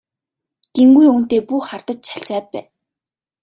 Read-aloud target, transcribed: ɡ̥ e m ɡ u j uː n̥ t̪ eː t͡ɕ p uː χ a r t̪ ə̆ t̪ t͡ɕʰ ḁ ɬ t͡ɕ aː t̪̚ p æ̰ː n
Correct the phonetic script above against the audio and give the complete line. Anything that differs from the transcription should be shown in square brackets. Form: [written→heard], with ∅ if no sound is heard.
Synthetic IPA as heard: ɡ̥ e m ɡ u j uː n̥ t̪ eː [t͡ɕ→∅] p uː χ a r t̪ ə̆ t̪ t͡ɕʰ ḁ ɬ t͡ɕ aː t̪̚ p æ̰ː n